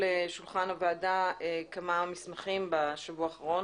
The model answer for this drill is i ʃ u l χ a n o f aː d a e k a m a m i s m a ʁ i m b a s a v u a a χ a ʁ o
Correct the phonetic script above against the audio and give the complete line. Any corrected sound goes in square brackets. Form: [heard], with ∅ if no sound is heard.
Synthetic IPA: [e] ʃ u l χ a n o [v] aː d a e k a m a m i s m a [χ] i m b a [ʃ] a v u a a χ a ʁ o